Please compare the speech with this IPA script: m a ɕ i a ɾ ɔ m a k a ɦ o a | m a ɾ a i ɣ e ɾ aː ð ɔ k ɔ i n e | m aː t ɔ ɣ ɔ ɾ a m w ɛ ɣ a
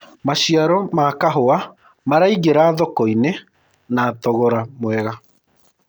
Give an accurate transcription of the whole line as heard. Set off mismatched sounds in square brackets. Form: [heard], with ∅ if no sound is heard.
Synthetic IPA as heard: m a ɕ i a ɾ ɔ m a k a ɦ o a | m a ɾ a i ɣ e ɾ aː ð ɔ k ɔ i n e | [n] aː t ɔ ɣ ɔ ɾ a m w ɛ ɣ a